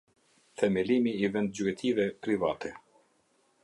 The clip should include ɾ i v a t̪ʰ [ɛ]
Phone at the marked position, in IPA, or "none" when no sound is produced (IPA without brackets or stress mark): ɛ